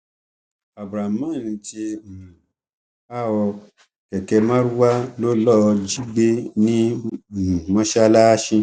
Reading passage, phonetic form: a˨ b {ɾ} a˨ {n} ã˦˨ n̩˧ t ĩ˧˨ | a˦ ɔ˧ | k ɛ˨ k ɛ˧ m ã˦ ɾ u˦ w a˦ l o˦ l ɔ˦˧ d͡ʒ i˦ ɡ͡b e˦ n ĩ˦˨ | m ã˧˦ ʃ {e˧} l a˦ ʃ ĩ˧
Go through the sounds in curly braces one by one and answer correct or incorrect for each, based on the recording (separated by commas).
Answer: correct, incorrect, incorrect